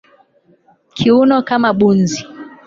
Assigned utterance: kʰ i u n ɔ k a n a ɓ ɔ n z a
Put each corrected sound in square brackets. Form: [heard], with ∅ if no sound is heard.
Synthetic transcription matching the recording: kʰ i u n ɔ k a [m] a ɓ [u] n z [i]